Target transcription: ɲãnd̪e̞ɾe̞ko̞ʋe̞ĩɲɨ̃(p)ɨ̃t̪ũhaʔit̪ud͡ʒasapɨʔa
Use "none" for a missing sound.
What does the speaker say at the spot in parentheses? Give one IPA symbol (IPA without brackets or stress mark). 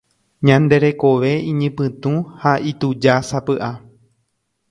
p